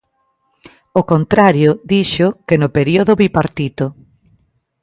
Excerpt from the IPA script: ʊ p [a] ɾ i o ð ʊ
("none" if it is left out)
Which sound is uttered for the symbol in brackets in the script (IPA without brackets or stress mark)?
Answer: e